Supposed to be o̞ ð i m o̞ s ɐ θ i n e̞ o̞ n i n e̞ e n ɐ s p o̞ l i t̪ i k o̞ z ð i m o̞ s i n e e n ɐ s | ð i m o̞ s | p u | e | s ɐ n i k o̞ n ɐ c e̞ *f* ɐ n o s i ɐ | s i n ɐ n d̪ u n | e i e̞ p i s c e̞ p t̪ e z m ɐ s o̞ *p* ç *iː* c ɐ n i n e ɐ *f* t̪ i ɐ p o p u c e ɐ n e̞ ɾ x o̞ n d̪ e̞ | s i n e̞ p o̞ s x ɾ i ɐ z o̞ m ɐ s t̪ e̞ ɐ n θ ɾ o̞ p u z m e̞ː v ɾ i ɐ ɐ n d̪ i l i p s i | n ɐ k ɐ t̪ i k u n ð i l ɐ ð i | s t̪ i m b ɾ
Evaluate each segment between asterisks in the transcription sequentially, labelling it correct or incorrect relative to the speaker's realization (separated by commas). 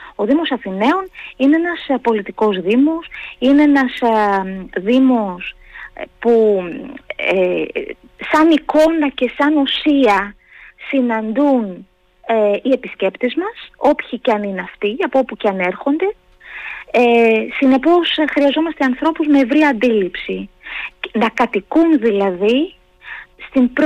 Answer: incorrect, correct, incorrect, correct